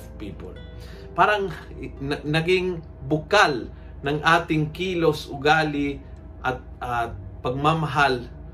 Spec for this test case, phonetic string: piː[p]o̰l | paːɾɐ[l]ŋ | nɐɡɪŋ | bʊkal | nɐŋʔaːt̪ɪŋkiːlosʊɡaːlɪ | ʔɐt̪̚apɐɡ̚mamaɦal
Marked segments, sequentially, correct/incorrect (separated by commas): correct, incorrect